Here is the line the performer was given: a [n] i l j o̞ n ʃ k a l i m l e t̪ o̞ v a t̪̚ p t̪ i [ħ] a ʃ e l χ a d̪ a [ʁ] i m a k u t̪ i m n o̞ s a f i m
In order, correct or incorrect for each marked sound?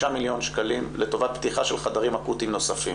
incorrect: m, incorrect: χ, correct

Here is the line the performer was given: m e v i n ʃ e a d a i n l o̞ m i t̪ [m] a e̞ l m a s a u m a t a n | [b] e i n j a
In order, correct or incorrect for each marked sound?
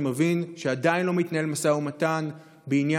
incorrect: n, correct

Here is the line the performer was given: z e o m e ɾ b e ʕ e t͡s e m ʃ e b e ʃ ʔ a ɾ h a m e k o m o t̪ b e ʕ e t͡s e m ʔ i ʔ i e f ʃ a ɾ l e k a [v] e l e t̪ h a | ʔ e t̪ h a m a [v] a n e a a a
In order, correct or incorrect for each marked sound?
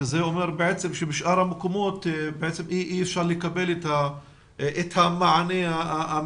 incorrect: b, incorrect: ʕ

